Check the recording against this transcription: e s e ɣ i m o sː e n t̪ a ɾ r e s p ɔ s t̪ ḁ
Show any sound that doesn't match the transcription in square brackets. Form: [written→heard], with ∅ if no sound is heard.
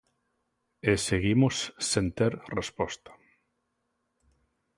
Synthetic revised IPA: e s e ɣ i m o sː e n t̪ [a→e] ɾ r e s p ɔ s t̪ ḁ